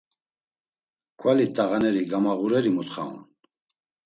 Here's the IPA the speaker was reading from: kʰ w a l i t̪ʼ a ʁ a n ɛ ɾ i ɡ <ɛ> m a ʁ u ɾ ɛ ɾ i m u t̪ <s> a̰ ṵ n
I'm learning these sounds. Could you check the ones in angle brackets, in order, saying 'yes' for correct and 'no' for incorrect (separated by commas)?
no, no